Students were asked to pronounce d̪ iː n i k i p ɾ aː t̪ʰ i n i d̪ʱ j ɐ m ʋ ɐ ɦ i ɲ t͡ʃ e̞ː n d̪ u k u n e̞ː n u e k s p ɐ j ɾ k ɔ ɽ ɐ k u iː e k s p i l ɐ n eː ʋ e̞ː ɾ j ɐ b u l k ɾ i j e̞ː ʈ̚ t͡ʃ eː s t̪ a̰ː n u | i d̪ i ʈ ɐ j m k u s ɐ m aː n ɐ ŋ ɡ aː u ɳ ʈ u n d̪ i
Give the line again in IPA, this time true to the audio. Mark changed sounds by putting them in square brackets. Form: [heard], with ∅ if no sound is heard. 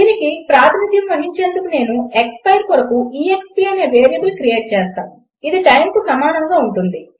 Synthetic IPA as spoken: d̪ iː n i k i p ɾ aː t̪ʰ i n i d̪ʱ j ɐ m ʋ ɐ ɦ i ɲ t͡ʃ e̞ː n d̪ u k u n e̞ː n u e k s p ɐ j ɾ k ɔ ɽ ɐ k u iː e k s p i [∅] ɐ n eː ʋ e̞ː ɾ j ɐ b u l k ɾ i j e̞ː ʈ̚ t͡ʃ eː s t̪ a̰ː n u | i d̪ i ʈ ɐ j m k u s ɐ m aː n ɐ ŋ ɡ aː u ɳ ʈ u n d̪ i

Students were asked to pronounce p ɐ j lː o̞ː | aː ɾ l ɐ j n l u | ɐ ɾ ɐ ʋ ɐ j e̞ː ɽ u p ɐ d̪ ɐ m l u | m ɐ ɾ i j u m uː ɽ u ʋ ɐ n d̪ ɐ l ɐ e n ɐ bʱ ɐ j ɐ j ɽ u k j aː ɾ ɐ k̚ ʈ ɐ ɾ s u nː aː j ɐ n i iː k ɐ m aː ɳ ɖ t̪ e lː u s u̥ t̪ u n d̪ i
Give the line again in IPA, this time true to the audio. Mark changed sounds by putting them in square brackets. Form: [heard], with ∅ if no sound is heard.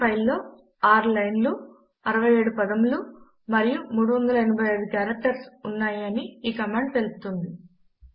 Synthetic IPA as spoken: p ɐ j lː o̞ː | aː ɾ l ɐ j n l u | ɐ ɾ ɐ ʋ ɐ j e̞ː ɽ u p ɐ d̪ ɐ m l u | m ɐ ɾ i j u m uː ɽ u ʋ ɐ n d̪ ɐ l ɐ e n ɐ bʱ ɐ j ɐ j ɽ u k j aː ɾ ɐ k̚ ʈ ɐ ɾ s u nː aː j ɐ n i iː k ɐ m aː ɳ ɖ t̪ e [l] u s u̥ t̪ u n d̪ i

